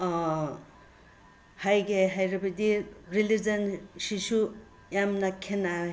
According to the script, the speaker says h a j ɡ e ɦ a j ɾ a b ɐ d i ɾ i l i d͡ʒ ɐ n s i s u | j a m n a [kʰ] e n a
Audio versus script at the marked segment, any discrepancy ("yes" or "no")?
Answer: no